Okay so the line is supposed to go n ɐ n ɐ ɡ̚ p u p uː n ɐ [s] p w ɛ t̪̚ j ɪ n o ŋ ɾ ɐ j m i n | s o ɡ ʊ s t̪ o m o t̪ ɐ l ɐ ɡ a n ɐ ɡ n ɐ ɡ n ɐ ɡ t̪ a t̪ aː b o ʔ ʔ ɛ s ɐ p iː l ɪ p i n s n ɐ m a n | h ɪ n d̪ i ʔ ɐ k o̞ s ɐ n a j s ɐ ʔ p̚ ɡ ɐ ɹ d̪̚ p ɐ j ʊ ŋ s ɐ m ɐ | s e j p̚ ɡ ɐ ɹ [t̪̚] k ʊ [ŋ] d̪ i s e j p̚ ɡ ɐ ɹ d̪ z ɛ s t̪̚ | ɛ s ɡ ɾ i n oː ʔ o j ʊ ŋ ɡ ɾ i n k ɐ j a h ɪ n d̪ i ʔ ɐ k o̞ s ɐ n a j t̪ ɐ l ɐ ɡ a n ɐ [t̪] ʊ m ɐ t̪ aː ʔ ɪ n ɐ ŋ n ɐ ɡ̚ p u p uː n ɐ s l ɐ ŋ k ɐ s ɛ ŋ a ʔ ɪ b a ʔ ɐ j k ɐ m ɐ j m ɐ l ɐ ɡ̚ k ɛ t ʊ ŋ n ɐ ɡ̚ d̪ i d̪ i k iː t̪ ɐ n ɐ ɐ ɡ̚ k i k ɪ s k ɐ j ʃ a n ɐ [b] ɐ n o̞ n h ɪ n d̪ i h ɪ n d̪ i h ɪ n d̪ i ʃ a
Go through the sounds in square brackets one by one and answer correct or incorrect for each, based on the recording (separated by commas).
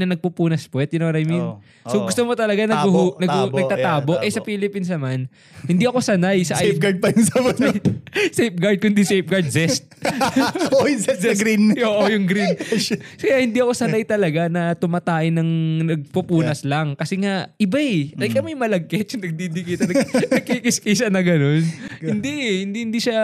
correct, incorrect, incorrect, correct, incorrect